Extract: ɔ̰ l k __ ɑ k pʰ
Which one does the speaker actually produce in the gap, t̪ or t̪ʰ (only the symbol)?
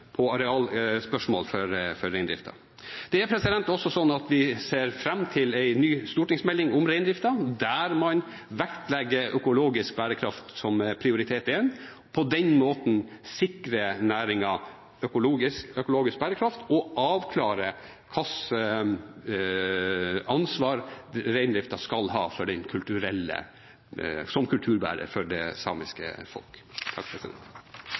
t̪ʰ